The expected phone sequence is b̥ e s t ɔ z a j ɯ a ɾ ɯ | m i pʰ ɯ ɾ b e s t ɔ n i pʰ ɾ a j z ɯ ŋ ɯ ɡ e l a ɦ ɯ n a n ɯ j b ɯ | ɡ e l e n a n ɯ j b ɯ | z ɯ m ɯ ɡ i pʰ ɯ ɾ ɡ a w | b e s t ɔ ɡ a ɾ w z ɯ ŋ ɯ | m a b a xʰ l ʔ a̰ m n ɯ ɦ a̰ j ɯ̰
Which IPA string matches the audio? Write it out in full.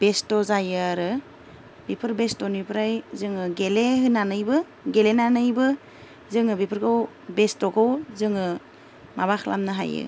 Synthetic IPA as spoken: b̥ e s t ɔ z a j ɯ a ɾ ɯ | b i pʰ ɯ ɾ b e s t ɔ n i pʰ ɾ a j z ɯ ŋ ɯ ɡ e l e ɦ ɯ n a n ɯ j b ɯ | ɡ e l e n a n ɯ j b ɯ | z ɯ ŋ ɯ b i pʰ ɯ ɾ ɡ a w | b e s t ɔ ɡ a w z ɯ ŋ ɯ | m a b a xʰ l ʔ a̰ m n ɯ ɦ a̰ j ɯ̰